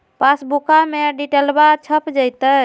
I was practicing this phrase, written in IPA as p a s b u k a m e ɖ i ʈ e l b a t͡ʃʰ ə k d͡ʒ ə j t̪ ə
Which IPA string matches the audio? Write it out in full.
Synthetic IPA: p a s b u k a m e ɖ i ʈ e l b a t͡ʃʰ ə p d͡ʒ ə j t̪ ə